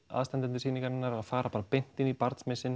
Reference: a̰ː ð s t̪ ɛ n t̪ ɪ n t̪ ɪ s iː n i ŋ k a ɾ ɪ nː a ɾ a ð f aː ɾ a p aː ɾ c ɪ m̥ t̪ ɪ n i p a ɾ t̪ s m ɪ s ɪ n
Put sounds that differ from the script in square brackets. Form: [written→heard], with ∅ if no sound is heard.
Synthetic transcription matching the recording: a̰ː ð s t̪ ɛ n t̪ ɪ n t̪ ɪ s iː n i ŋ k a ɾ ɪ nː a ɾ a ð f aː ɾ a p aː ɾ [c→p] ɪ [m̥→n̥] t̪ ɪ n i p a ɾ t̪ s m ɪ s ɪ n